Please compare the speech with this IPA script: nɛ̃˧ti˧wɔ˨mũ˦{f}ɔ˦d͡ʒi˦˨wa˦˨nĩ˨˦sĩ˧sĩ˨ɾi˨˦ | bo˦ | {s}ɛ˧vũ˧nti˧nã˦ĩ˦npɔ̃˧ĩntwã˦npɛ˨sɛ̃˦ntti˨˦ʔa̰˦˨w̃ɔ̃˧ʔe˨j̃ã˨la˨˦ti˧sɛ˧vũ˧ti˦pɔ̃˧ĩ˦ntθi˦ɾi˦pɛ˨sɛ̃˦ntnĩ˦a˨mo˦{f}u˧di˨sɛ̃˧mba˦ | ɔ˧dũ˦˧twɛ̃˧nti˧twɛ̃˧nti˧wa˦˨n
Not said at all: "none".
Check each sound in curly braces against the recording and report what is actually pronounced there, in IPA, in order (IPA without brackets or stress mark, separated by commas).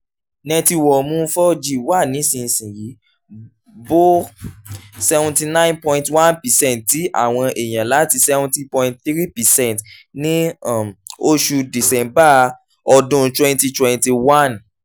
f, s, ʃ